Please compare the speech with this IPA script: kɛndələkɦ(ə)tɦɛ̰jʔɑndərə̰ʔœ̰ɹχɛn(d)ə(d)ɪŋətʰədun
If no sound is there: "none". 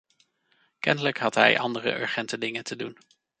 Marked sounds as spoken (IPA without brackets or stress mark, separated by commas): ɑ, t, d